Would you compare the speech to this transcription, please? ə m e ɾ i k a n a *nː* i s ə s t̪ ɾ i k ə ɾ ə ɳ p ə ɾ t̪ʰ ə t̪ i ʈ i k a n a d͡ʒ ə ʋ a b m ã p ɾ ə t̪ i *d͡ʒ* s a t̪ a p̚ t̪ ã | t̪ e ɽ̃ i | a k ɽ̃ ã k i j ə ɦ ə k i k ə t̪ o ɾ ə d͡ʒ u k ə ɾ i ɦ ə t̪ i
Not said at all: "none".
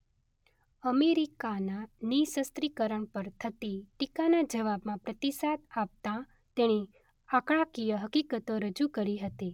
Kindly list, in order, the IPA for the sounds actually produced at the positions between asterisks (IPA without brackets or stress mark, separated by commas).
n, none